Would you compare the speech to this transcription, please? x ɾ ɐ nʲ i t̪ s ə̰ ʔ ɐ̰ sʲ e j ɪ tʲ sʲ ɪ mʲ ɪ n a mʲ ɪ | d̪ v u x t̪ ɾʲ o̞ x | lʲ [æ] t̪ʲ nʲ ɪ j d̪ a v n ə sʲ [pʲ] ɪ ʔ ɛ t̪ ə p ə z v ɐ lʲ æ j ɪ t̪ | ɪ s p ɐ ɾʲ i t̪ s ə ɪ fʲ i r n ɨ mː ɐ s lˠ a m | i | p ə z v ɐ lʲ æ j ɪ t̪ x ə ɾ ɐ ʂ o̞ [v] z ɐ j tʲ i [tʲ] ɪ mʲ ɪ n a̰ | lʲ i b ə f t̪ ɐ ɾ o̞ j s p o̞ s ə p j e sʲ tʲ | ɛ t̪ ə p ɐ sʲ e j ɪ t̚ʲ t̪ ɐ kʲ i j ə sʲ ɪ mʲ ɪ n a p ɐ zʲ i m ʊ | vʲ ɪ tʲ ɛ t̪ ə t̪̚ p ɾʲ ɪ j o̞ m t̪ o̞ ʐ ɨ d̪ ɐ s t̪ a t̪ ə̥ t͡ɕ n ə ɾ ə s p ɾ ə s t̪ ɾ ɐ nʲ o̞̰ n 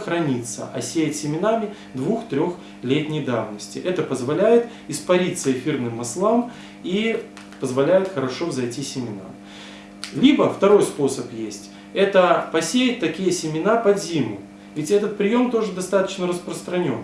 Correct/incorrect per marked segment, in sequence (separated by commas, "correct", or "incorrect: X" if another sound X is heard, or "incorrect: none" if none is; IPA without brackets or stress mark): incorrect: e, incorrect: tʲ, correct, incorrect: sʲ